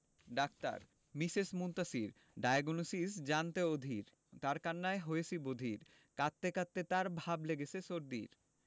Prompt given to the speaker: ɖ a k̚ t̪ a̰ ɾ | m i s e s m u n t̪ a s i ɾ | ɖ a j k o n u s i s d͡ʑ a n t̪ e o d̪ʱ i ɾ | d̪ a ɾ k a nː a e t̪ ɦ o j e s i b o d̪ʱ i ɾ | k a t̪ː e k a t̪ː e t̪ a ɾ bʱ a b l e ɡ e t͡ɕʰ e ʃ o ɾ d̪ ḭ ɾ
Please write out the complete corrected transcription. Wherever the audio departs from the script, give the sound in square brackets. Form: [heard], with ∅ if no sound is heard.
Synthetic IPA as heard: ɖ a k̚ t̪ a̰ ɾ | m i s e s m u n t̪ a s i ɾ | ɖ a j [ɡ] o n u s i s d͡ʑ a n t̪ e o d̪ʱ i ɾ | [t̪] a ɾ k a nː a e [∅] ɦ o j e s i b o d̪ʱ i ɾ | k a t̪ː e k a t̪ː e t̪ a ɾ bʱ a b l e ɡ e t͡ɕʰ e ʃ o ɾ d̪ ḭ ɾ